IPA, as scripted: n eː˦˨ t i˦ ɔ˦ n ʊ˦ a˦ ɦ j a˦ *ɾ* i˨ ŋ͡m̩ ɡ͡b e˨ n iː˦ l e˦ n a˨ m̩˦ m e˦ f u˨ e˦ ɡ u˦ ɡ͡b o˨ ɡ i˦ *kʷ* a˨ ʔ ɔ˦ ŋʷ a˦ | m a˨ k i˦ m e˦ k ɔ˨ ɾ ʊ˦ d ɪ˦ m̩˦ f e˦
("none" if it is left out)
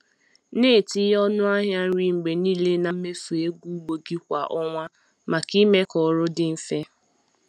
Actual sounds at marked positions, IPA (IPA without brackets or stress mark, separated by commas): ɾ, kʷ